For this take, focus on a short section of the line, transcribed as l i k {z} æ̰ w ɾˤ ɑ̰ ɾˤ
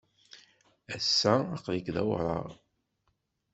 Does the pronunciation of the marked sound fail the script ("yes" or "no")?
yes